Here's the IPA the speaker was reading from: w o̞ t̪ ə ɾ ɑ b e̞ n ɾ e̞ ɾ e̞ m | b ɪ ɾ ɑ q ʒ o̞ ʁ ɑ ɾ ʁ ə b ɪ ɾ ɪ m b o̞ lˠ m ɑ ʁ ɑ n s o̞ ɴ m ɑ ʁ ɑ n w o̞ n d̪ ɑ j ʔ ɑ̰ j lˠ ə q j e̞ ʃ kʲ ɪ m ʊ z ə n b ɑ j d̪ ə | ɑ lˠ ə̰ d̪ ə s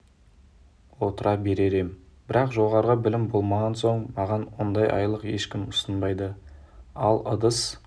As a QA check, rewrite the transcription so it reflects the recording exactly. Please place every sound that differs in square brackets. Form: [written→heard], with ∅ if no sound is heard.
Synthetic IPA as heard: w o̞ t̪ ə ɾ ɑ b e̞ [n→∅] ɾ e̞ ɾ e̞ m | b ɪ ɾ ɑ q ʒ o̞ ʁ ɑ ɾ ʁ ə b ɪ [ɾ→l] ɪ m b o̞ lˠ m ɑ ʁ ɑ n s o̞ ɴ m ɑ ʁ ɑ n w o̞ n d̪ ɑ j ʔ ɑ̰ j lˠ ə q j e̞ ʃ kʲ ɪ m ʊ [z→s] ə n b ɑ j d̪ ə | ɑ lˠ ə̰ d̪ ə s